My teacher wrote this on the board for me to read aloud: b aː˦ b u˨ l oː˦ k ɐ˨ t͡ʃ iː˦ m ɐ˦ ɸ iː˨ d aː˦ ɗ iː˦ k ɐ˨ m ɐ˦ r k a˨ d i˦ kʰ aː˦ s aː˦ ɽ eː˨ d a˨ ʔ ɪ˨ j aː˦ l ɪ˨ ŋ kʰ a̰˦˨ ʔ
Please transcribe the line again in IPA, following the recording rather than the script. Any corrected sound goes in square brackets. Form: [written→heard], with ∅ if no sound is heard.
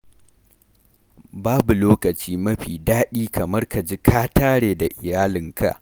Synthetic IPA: b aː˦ b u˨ l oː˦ k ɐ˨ t͡ʃ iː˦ m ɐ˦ ɸ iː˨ d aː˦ ɗ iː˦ k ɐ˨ m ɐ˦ r k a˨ [d→d͡ʒ] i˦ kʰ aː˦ [s→t] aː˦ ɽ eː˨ d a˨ ʔ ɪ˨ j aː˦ l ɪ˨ ŋ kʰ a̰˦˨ ʔ